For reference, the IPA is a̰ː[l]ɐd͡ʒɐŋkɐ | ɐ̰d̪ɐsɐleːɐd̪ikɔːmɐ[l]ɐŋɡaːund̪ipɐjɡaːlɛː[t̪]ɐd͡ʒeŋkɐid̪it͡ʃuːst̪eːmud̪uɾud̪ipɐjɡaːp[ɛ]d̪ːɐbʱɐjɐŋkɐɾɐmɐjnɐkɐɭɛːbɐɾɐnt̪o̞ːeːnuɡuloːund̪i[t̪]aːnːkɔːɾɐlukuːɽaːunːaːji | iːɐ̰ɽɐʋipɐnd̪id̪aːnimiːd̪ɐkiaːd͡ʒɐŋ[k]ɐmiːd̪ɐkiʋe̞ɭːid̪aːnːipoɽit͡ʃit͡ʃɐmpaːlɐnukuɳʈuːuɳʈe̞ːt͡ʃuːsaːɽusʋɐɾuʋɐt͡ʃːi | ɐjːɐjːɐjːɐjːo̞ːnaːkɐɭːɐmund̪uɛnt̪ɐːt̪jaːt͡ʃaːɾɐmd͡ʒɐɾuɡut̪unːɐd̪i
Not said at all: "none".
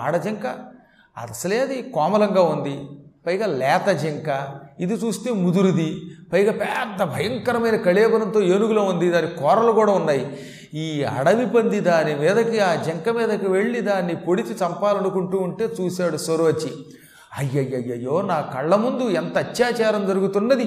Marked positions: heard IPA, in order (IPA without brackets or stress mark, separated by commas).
ɽ, l, t̪, ɛː, d̪, k